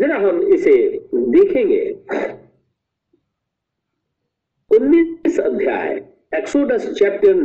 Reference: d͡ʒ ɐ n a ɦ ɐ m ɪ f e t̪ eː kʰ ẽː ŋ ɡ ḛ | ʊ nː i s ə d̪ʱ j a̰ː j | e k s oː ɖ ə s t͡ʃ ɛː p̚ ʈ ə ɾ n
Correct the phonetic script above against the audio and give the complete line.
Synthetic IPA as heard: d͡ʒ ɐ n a ɦ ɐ m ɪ s e d̪ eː kʰ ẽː ŋ ɡ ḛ | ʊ nː i s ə d̪ʱ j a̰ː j | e k s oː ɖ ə s t͡ʃ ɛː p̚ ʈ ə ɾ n